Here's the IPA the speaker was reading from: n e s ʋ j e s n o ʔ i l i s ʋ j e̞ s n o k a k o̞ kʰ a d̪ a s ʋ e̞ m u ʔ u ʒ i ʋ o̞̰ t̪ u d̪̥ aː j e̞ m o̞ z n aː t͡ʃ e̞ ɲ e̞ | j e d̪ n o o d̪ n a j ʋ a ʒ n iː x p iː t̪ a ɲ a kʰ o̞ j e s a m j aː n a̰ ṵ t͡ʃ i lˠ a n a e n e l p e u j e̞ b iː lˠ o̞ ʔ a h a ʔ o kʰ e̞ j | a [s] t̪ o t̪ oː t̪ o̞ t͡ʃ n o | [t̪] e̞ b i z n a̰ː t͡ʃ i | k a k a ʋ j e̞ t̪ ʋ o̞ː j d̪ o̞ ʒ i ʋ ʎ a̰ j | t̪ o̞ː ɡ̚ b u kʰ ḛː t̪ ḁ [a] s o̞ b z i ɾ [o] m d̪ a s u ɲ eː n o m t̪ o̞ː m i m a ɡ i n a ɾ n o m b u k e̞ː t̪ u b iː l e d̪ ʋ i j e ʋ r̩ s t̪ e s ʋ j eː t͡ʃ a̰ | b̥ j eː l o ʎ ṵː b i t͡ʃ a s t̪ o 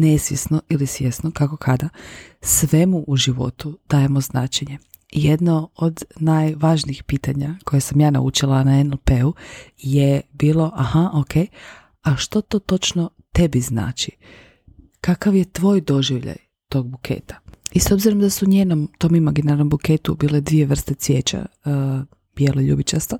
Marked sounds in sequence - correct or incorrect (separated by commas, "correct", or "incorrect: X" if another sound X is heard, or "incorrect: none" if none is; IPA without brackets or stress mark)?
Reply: incorrect: ʃ, correct, incorrect: i, correct